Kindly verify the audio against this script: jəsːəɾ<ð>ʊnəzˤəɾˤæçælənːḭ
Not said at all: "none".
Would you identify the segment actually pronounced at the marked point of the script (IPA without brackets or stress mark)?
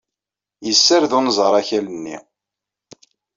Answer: ð